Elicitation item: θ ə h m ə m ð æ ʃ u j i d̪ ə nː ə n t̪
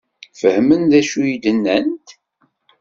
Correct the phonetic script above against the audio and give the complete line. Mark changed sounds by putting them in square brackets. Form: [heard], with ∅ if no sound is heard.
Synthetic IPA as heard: [f] ə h m ə [n] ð æ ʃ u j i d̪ ə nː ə n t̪